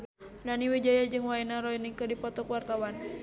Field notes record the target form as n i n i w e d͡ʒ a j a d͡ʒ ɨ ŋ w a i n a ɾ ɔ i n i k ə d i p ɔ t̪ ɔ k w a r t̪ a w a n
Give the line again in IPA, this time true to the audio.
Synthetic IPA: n a n i w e d͡ʒ a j a d͡ʒ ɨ ŋ w a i n a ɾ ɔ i n i k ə d i p ɔ t̪ ɔ k w a r t̪ a w a n